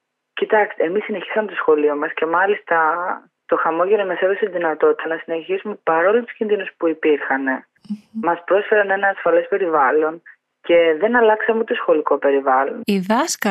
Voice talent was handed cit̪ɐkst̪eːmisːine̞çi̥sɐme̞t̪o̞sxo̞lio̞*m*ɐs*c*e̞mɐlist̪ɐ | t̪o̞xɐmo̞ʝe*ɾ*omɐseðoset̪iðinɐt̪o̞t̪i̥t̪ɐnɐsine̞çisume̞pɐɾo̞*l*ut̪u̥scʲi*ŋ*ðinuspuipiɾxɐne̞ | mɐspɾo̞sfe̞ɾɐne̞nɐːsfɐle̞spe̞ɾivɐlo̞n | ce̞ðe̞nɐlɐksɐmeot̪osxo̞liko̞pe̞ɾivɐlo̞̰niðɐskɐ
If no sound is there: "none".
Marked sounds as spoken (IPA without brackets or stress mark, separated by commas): m, c, ɾ, l, n